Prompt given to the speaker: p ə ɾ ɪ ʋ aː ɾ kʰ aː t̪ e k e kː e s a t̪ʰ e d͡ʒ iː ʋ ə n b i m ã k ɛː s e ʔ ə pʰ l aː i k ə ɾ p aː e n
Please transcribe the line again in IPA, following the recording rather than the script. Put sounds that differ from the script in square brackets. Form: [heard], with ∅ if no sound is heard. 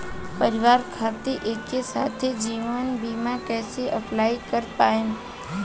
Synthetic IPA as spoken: p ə ɾ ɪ ʋ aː ɾ kʰ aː t̪ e [ʔ] e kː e s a t̪ʰ e d͡ʒ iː ʋ ə n b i m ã k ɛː s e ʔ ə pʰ l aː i k ə ɾ p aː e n